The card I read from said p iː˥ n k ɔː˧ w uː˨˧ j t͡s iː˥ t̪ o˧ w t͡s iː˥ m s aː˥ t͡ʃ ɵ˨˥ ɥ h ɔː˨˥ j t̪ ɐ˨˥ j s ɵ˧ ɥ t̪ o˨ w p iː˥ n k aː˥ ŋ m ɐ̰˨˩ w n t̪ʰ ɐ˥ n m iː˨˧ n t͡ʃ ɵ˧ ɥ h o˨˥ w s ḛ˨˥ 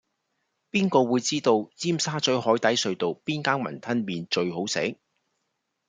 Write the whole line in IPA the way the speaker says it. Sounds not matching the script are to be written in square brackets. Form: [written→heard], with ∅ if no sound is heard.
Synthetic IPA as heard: p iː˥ n k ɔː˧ w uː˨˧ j t͡s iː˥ t̪ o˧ w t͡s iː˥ m s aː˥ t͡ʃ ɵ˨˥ ɥ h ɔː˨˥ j t̪ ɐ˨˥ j s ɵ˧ ɥ t̪ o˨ w p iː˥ n k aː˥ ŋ m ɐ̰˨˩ [w→∅] n t̪ʰ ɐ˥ n m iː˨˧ n t͡ʃ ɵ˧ ɥ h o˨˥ w s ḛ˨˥